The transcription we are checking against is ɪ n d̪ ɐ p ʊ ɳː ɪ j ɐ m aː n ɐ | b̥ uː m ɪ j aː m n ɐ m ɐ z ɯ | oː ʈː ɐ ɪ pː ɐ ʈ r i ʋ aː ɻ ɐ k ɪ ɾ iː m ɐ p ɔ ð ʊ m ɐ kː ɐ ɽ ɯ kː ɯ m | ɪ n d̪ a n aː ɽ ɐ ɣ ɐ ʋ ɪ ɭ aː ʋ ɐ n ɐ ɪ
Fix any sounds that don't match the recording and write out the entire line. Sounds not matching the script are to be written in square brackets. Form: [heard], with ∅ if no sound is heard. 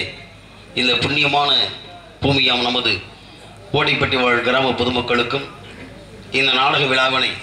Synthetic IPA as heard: ɪ n d̪ ɐ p ʊ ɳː ɪ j ɐ m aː n ɐ | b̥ uː m ɪ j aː m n ɐ m ɐ [ð] ɯ | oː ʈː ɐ ɪ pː ɐ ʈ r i ʋ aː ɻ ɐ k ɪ ɾ [aː] m ɐ p ɔ ð [ɯ] m ɐ kː ɐ [ɭ] ɯ kː ɯ m | ɪ n d̪ [ɐ] n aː ɽ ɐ ɣ ɐ ʋ ɪ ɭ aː ʋ ɐ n ɐ ɪ